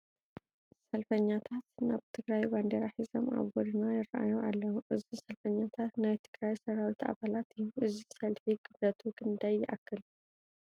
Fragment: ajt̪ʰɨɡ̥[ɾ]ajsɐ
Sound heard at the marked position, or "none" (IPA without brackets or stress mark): ɾ